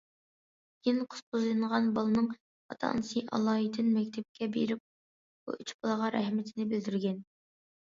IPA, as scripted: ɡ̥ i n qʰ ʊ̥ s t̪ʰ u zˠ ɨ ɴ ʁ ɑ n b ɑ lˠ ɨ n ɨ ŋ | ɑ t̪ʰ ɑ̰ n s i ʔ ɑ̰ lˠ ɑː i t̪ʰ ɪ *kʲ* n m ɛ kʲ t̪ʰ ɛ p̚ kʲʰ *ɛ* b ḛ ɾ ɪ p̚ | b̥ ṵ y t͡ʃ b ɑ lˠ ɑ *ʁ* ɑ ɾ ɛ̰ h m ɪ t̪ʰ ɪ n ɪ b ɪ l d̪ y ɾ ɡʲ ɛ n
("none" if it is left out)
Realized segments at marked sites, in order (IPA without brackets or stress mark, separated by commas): none, ɛ, ʁ